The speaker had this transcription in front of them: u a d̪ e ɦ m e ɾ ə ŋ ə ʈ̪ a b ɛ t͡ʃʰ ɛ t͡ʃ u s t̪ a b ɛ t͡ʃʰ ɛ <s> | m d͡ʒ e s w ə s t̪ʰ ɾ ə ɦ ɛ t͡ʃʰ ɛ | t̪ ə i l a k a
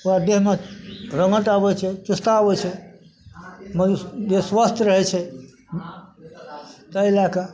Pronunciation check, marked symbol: incorrect: none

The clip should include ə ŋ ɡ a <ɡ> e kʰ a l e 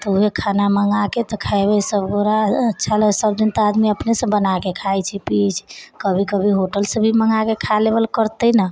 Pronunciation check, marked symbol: incorrect: k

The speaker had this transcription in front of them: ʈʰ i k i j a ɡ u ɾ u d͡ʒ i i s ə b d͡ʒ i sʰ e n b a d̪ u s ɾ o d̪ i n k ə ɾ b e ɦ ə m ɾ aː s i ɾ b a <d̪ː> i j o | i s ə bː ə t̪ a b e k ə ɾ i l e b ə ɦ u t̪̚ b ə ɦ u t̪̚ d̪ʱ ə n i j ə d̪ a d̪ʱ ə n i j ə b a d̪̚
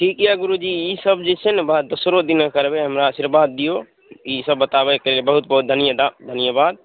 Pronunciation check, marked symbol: correct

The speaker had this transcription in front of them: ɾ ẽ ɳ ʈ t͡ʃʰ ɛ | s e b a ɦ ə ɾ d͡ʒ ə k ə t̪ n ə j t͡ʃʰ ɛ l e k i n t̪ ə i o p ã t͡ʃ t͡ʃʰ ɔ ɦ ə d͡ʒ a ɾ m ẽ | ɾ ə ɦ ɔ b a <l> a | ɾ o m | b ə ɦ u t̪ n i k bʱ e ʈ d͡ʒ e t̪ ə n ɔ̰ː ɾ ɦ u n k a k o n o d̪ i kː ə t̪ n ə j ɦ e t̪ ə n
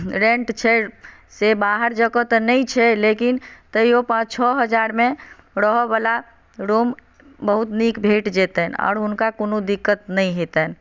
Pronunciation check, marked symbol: correct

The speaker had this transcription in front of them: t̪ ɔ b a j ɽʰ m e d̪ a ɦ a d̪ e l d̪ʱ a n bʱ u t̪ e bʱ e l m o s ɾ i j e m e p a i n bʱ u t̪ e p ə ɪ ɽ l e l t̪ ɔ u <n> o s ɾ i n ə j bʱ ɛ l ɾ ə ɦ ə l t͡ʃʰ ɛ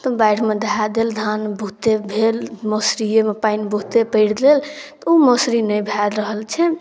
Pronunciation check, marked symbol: incorrect: m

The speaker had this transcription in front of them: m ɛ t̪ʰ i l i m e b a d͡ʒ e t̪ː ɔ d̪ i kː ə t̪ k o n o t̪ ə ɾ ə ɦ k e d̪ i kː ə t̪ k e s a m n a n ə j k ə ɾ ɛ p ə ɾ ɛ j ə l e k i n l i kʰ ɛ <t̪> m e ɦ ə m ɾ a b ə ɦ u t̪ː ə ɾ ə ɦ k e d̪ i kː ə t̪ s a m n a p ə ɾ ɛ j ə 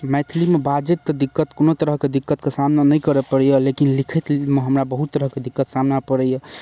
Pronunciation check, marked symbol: correct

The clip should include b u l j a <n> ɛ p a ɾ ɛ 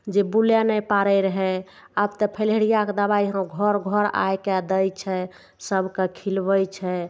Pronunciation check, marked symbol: correct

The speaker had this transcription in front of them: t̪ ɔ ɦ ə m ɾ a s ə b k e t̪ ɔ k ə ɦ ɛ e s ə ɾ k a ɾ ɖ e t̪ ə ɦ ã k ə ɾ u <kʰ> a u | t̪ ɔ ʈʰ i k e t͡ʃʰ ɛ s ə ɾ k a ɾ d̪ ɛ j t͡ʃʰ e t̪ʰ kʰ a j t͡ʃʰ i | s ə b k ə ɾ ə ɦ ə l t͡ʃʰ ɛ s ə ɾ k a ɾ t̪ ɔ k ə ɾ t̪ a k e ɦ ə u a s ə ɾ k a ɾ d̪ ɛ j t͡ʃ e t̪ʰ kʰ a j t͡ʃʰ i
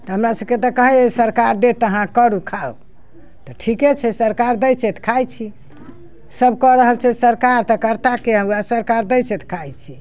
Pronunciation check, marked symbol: correct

